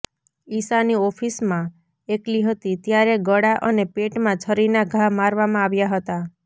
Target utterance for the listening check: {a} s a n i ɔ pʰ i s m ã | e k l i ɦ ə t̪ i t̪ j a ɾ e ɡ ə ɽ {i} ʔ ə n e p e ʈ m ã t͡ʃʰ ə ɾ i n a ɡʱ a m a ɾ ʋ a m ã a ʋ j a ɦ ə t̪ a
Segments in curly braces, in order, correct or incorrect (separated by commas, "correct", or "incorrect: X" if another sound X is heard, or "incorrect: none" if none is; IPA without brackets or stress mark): incorrect: i, incorrect: a